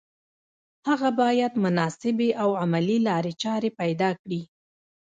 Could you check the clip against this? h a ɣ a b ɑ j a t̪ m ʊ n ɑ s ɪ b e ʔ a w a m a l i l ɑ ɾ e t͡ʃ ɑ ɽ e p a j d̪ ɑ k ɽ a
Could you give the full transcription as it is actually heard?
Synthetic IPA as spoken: h a ɣ a b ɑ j a d̪ m ʊ n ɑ s ɪ b e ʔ a w a m a l i l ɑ ɾ e t͡ʃ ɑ ɾ e p a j d̪ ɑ k ɽ i